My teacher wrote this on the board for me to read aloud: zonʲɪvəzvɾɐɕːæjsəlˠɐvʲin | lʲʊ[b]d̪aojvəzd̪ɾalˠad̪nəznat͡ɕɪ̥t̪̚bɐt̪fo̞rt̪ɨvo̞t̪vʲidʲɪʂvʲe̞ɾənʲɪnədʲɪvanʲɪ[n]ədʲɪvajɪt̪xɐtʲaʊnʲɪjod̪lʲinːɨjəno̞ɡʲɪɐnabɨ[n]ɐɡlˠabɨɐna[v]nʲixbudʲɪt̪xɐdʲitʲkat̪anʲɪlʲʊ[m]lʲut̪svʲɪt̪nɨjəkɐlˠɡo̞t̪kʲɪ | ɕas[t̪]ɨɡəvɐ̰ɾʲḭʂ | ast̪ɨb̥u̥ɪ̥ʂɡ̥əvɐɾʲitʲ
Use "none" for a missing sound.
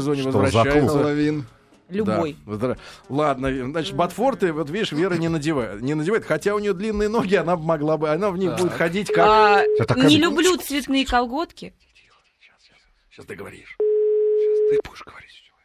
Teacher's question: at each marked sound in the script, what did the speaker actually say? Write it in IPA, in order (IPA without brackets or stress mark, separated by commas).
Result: b, n, m, v, b, t̪